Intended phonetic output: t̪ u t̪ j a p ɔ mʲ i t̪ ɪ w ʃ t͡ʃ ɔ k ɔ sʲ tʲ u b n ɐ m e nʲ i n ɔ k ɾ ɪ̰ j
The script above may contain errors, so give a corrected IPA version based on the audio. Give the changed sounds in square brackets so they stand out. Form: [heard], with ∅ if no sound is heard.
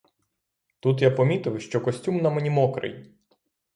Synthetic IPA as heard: t̪ u t̪ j a p ɔ mʲ i t̪ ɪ w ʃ t͡ʃ ɔ k ɔ sʲ tʲ u [m] n ɐ m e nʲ i [m] ɔ k ɾ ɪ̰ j